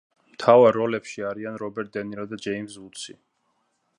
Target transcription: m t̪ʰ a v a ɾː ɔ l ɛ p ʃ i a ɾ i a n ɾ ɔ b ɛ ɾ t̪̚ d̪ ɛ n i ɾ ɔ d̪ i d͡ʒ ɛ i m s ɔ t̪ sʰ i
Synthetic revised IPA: m t̪ʰ a v a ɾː ɔ l ɛ p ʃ i a ɾ i a n ɾ ɔ b ɛ ɾ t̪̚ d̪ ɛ n i ɾ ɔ d̪ a d͡ʒ ɛ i m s u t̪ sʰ i